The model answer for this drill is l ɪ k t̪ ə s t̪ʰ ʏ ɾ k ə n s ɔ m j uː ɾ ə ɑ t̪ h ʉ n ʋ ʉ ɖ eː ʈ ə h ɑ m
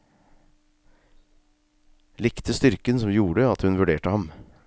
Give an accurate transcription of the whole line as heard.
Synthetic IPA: l ɪ k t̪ ə s t̪ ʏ ɾ k ə n s ɔ m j uː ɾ ə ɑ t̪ h ʉ n ʋ ʉ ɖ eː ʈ ə h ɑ m